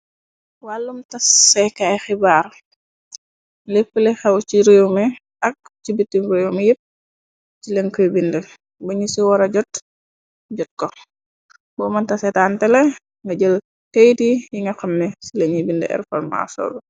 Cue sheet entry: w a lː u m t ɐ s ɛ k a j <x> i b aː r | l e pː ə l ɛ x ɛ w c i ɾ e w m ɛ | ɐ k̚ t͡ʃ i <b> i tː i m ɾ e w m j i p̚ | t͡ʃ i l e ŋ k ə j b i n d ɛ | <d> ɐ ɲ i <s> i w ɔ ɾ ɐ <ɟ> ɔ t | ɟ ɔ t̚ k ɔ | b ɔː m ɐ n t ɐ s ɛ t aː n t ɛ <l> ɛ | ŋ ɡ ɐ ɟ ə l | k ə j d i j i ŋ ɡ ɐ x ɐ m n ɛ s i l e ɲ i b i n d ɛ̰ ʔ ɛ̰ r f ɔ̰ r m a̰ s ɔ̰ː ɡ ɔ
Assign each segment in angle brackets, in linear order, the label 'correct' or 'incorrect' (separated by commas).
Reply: correct, correct, incorrect, correct, correct, correct